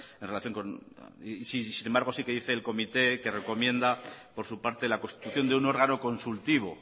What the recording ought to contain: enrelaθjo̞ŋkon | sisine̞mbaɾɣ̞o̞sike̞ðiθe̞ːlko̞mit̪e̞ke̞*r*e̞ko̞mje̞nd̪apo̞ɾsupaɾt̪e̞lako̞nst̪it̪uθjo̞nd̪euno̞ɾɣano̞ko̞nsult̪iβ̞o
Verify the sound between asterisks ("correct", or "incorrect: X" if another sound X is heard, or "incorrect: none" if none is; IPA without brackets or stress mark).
correct